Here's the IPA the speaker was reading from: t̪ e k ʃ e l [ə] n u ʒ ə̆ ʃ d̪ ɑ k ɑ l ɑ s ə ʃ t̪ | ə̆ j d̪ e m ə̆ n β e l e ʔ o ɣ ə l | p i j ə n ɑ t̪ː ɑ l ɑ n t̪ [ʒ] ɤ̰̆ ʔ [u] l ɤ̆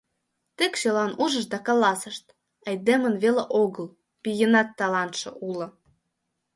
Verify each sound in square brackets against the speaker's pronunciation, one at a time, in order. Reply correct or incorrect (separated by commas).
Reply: incorrect, incorrect, correct